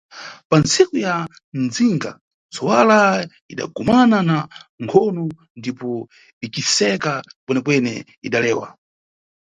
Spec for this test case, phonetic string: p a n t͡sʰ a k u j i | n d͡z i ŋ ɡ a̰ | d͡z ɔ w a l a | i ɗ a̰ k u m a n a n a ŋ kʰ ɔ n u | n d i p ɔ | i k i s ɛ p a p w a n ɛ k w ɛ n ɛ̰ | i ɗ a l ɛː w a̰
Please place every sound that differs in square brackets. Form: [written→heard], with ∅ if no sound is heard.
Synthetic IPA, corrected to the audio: p a n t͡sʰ [a→i] k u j [i→a] | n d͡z i ŋ ɡ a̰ | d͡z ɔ w a l a | i ɗ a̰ [k→ɡ] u m a n a n a ŋ kʰ ɔ n u | n d i p ɔ | i k i s ɛ [p→k] a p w [a→ɛ] n ɛ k w ɛ n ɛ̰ | i ɗ a l ɛː w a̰